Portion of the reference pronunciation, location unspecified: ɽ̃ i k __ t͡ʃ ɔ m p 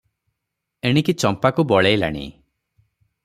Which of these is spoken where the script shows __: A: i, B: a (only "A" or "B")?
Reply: A